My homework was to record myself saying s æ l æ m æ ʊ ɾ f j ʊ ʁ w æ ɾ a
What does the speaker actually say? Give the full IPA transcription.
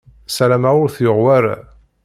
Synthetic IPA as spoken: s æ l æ m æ ʊ ɾ θ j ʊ ʁ w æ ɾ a